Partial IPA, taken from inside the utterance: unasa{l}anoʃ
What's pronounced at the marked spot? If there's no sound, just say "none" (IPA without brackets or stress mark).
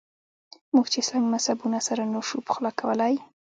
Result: ɾ